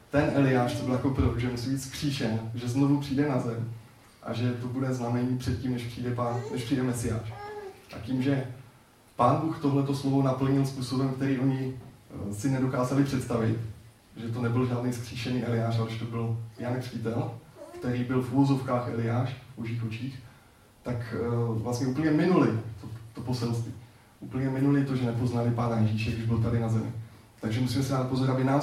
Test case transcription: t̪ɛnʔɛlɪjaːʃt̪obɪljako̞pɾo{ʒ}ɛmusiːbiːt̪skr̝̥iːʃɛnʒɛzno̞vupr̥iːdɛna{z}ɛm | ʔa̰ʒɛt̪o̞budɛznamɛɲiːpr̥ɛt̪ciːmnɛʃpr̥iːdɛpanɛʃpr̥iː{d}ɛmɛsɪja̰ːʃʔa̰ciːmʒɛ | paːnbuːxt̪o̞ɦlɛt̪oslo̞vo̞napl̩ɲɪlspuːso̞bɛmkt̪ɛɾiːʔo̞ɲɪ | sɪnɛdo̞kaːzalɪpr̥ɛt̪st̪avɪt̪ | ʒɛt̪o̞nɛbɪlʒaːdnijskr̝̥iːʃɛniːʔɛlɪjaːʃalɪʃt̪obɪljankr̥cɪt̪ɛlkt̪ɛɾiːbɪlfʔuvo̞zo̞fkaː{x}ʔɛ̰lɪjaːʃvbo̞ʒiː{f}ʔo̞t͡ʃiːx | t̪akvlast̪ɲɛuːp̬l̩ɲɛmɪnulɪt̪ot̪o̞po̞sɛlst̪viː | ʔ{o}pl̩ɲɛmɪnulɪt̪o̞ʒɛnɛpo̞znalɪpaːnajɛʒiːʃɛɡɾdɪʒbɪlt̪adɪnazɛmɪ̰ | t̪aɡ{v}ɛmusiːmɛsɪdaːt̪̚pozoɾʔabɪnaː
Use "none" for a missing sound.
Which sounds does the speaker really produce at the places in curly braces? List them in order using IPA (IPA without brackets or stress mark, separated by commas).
ʒ, z, d, x, x, u, ʒ